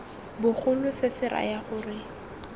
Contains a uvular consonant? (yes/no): yes